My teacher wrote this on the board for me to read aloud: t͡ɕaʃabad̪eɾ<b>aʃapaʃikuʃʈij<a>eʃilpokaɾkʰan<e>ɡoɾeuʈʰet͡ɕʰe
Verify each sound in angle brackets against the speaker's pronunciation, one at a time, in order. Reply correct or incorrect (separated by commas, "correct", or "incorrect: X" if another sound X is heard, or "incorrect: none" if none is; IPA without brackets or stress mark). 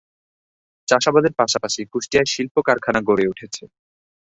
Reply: incorrect: p, correct, incorrect: a